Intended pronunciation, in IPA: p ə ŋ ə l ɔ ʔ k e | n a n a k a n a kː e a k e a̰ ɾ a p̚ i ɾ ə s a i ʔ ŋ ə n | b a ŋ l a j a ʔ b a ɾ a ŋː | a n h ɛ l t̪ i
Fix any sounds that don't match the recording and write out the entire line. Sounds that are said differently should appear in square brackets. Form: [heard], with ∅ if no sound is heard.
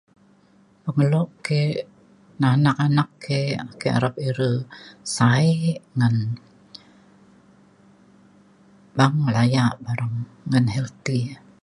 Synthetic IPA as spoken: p ə ŋ ə l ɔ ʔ k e | n a n a k a n a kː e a k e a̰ ɾ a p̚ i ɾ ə s a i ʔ ŋ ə n | b a ŋ l a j a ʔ b a ɾ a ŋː | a n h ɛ l t̪ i